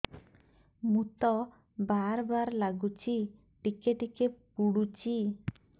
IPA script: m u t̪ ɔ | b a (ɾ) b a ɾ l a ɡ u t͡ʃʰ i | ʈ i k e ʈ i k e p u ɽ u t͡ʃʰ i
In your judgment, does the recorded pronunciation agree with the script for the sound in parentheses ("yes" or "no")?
yes